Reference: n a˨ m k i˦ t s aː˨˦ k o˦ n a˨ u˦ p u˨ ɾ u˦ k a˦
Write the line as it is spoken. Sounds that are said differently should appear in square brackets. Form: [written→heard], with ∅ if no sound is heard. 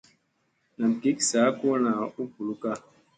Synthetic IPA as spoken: n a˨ m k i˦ [t→k] s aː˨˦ k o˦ n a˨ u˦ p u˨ [ɾ→l] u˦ k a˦